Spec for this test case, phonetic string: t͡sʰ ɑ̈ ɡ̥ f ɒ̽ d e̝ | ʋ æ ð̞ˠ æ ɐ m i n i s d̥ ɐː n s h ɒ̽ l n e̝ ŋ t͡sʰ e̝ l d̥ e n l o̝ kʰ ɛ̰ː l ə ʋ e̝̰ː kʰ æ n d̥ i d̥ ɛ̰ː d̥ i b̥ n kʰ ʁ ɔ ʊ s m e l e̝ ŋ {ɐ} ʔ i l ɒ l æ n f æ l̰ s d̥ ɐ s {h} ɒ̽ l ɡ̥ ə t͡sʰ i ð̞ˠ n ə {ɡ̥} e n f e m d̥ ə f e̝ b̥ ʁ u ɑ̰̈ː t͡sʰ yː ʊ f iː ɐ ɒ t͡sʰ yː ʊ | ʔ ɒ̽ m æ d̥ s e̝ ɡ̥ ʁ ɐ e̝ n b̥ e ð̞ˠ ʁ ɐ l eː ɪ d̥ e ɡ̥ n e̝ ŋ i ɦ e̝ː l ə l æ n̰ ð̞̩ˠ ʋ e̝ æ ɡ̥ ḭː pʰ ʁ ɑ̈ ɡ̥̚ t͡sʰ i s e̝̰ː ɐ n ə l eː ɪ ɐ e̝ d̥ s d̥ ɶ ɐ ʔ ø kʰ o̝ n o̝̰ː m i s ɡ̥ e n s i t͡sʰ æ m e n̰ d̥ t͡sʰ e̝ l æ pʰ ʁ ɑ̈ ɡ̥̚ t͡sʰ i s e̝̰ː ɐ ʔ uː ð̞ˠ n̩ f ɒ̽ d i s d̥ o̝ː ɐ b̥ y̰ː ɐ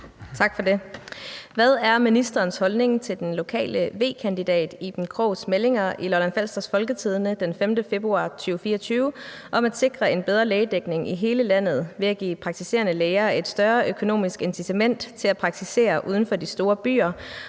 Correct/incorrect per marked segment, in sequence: correct, incorrect, incorrect

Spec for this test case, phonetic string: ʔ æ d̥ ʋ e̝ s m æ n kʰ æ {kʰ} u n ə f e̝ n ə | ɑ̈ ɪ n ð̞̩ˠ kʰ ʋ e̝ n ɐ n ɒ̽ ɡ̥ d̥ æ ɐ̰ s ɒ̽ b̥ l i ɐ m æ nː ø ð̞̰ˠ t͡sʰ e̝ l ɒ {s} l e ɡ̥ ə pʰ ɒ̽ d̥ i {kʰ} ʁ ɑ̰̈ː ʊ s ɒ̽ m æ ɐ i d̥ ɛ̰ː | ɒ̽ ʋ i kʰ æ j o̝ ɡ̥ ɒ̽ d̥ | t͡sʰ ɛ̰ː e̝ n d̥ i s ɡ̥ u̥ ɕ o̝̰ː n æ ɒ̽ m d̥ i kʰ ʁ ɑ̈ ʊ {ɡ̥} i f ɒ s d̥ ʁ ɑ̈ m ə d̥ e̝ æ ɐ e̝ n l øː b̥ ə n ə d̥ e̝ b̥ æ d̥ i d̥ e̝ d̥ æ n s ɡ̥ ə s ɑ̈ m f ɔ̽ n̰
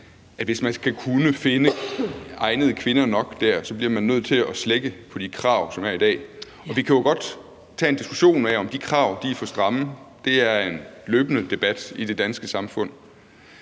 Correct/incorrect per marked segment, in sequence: correct, correct, correct, incorrect

